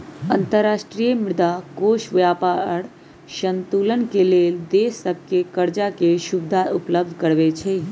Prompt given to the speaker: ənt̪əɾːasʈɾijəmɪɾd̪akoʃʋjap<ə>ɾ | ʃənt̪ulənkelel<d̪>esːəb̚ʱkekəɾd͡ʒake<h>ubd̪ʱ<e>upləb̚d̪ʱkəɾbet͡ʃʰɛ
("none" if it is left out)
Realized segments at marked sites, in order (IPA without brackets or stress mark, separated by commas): a, d̪, ʃ, a